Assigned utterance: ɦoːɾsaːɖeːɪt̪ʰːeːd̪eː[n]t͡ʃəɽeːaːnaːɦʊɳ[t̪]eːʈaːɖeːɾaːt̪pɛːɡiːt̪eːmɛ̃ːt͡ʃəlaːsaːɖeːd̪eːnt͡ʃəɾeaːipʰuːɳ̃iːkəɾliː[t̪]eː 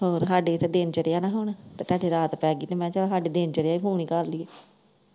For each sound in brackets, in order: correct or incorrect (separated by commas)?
correct, correct, incorrect